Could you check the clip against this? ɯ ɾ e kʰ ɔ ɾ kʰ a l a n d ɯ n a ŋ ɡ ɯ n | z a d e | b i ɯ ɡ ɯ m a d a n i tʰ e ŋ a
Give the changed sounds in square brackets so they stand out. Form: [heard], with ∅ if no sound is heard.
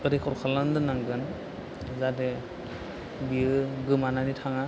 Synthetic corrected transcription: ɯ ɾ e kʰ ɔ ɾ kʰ a l a n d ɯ n a ŋ ɡ ɯ n | z a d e | b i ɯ ɡ ɯ m a [n] a n i tʰ [a] ŋ a